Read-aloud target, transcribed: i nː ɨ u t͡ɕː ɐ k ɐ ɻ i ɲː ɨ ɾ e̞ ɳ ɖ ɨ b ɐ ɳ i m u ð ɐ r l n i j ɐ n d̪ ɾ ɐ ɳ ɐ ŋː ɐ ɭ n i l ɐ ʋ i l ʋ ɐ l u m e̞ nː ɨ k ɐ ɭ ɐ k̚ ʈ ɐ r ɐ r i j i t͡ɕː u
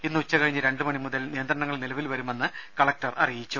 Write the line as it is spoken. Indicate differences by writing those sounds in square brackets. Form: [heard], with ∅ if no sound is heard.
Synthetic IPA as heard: i nː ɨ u t͡ɕː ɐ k ɐ ɻ i ɲː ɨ ɾ e̞ ɳ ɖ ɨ [m] ɐ ɳ i m u ð ɐ [∅] l n i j ɐ n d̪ ɾ ɐ ɳ ɐ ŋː ɐ ɭ n i l ɐ ʋ i l ʋ ɐ [ɾ] u m e̞ nː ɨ k ɐ ɭ ɐ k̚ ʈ ɐ r ɐ r i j i t͡ɕː u